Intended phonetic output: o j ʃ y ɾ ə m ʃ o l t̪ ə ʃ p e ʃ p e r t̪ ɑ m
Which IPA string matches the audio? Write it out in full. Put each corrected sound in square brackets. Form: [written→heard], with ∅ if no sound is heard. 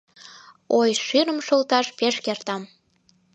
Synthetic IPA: o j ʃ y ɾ ə m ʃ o l t̪ [ə→ɑ] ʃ p e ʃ [p→k] e r t̪ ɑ m